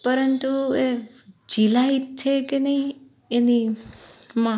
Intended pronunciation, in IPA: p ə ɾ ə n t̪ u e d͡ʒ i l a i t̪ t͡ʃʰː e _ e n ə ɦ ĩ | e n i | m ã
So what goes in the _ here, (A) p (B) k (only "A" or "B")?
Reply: B